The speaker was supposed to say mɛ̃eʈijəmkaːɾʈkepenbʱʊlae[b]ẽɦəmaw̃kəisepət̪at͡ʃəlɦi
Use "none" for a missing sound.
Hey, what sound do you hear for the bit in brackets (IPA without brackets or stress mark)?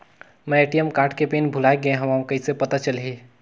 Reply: ɡ